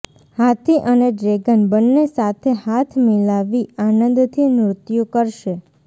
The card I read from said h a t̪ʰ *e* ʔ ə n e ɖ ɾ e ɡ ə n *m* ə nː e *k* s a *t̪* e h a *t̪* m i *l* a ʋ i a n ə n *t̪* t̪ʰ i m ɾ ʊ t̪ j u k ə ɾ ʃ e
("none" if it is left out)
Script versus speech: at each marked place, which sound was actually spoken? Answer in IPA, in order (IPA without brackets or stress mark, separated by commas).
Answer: i, b, none, t̪ʰ, t̪ʰ, l, d̪